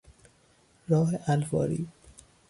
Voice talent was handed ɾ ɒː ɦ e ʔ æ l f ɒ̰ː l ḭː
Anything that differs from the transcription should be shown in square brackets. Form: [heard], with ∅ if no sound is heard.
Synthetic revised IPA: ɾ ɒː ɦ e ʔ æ l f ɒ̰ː [ɾ] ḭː